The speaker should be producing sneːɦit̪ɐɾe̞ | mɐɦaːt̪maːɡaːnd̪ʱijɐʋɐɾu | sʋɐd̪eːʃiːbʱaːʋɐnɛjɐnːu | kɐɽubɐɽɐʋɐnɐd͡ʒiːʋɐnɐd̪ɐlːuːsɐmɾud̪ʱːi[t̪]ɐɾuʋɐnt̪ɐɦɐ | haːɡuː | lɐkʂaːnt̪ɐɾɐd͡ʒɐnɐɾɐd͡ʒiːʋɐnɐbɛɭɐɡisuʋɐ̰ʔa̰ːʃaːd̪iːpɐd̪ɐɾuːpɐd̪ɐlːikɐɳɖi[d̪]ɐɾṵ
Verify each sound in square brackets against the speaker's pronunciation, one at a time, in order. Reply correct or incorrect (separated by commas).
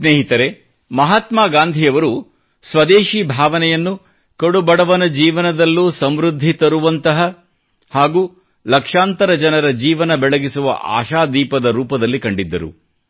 correct, incorrect